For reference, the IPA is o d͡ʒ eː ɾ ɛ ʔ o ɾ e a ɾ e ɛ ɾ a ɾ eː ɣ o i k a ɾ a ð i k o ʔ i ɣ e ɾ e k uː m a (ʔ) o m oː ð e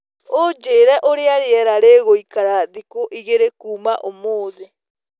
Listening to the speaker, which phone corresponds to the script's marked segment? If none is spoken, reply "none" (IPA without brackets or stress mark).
ʔ